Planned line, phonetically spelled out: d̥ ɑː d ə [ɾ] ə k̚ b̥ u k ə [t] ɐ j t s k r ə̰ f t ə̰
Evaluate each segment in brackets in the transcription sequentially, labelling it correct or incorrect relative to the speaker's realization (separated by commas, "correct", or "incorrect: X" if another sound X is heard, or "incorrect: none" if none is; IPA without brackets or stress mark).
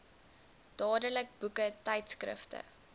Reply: incorrect: l, correct